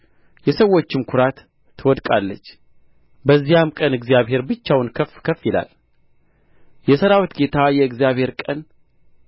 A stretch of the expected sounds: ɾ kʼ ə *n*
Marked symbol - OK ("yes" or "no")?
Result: yes